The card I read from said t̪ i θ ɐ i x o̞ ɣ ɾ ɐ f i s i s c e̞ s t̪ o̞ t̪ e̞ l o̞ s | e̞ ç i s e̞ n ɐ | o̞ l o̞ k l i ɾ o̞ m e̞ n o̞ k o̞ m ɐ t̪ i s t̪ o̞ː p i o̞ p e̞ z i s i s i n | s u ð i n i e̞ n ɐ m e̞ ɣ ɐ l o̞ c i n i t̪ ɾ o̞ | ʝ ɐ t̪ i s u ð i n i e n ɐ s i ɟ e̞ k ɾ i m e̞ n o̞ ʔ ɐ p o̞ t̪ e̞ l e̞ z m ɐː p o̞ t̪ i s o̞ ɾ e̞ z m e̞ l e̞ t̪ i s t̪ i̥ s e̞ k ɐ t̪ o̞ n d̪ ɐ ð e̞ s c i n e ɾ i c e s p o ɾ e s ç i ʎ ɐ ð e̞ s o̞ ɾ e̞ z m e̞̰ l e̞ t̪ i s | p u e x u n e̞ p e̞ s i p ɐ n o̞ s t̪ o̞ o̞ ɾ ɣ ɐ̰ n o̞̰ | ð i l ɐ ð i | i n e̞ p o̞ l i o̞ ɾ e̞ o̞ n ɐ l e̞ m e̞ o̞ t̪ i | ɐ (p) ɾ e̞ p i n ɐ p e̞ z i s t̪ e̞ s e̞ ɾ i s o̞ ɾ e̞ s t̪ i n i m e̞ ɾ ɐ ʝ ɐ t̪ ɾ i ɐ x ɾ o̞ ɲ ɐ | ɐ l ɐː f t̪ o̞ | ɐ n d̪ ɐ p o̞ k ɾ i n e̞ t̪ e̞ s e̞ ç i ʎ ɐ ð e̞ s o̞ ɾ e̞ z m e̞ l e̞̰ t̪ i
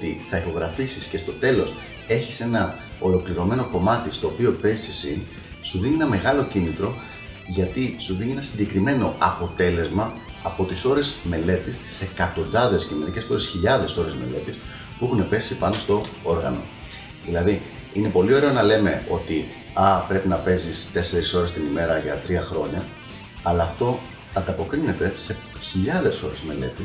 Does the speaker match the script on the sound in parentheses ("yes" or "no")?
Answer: yes